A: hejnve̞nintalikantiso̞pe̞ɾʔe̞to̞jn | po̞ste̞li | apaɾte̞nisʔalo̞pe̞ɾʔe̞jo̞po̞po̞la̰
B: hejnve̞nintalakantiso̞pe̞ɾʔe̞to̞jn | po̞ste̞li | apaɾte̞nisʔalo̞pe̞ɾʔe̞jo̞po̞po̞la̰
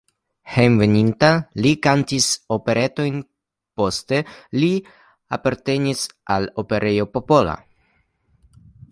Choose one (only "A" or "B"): A